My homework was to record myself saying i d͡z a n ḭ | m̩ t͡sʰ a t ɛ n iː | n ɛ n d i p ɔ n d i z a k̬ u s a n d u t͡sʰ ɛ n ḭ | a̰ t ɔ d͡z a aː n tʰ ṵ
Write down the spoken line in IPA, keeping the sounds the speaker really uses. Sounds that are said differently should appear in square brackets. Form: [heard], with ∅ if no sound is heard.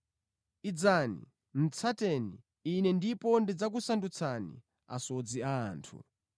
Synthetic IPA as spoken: i d͡z a n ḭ | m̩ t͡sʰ a t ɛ n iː | n ɛ n d i p ɔ n d i [d͡z] a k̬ u s a n d u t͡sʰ [a] n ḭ | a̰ [s] ɔ d͡z [i] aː n tʰ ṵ